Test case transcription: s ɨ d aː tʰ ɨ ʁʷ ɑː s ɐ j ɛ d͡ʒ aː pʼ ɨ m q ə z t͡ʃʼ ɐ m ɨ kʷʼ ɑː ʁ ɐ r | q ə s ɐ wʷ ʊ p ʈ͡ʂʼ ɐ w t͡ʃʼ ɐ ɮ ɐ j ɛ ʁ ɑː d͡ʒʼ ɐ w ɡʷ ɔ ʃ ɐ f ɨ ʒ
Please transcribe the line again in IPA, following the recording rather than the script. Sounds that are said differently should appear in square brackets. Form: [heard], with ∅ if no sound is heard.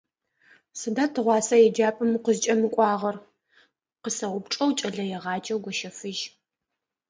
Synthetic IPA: s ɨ d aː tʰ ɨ ʁʷ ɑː s ɐ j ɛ d͡ʒ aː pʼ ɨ m q ə z t͡ʃʼ ɐ m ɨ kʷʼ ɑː ʁ ɐ r | q ə s ɐ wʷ ʊ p ʈ͡ʂʼ ɐ w t͡ʃʼ ɐ ɮ ɐ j ɛ ʁ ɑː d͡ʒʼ ɐ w ɡʷ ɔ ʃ ɐ f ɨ ʒ